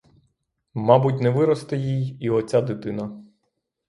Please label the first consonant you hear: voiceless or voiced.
voiced